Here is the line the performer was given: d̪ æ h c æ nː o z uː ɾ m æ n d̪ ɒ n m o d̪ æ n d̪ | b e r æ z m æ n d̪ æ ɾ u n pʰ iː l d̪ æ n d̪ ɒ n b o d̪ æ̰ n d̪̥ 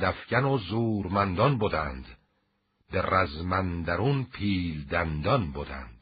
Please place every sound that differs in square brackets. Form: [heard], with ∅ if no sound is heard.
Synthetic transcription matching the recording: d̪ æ [f] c æ [n] o z uː ɾ m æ n d̪ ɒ n [b] o d̪ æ n d̪ | b e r æ z m æ n d̪ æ ɾ u n pʰ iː l d̪ æ n d̪ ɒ n b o d̪ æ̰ n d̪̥